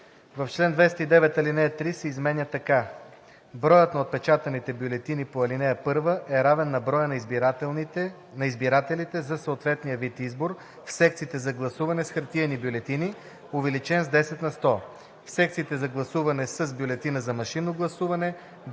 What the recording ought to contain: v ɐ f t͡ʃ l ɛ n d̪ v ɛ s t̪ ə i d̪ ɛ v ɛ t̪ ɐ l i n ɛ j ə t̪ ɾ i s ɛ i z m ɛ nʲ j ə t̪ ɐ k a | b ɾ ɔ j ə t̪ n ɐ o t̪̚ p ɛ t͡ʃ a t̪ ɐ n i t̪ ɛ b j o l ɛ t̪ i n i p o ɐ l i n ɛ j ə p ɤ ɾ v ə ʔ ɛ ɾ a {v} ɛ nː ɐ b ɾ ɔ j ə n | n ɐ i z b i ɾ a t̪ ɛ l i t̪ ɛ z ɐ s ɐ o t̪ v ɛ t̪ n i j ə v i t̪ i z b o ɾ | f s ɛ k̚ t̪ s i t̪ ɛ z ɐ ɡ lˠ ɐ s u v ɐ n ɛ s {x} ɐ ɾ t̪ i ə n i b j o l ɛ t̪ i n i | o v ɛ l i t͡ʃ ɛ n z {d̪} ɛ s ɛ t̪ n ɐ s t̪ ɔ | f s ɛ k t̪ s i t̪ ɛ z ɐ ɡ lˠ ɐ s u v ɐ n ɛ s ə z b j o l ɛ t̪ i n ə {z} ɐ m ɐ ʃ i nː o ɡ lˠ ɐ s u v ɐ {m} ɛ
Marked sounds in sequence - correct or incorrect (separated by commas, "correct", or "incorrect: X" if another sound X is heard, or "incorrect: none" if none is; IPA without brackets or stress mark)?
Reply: correct, correct, correct, correct, incorrect: n